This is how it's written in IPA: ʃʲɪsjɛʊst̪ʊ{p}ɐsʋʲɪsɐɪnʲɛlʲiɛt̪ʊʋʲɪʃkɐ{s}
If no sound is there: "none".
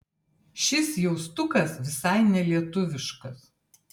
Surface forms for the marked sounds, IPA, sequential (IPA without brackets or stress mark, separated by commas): k, s